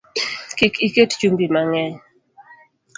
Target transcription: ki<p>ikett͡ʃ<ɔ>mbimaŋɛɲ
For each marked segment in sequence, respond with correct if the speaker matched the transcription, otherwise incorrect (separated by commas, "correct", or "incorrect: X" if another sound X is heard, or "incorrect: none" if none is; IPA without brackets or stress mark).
incorrect: k, incorrect: u